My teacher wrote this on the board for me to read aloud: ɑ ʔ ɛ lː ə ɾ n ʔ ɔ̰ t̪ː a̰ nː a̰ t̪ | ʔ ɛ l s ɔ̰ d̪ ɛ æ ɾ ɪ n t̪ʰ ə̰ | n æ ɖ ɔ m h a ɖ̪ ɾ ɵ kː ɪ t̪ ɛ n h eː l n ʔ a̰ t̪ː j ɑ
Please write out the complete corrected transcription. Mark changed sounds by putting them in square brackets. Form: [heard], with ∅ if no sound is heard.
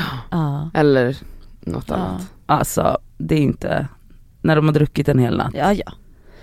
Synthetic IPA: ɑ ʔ ɛ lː ə ɾ n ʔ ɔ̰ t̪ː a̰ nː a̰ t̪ | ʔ [a] l s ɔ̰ d̪ ɛ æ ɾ ɪ n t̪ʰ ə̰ | n æ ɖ ɔ m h a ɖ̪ ɾ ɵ kː ɪ t̪ ɛ n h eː l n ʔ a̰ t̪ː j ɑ